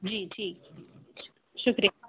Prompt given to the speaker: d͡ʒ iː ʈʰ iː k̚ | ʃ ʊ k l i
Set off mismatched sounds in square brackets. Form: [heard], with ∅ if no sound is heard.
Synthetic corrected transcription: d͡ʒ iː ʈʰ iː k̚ | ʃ ʊ k [ɾ] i